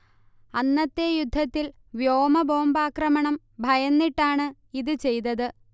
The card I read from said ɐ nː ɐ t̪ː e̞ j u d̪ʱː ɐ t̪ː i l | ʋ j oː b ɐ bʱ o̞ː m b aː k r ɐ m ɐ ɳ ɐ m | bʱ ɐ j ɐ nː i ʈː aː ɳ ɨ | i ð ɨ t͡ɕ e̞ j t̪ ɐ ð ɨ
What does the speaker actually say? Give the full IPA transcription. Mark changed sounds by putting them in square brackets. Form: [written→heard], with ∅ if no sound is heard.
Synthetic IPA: ɐ nː ɐ t̪ː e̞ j u d̪ʱː ɐ t̪ː i l | ʋ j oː [b→m] ɐ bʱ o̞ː m b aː k r ɐ m ɐ ɳ ɐ m | bʱ ɐ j ɐ nː i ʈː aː ɳ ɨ | i ð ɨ t͡ɕ e̞ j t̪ ɐ ð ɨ